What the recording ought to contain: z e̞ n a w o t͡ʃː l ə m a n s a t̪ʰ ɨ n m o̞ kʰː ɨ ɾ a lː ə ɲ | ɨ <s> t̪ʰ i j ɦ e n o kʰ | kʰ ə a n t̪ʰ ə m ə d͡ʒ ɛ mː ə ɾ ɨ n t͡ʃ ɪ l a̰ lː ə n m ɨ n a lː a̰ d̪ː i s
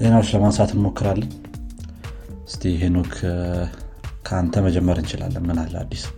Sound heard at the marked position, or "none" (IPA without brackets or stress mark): s